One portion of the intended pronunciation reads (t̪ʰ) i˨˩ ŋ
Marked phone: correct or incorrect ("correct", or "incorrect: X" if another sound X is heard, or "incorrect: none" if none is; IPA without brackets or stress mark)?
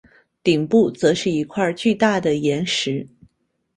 incorrect: t̪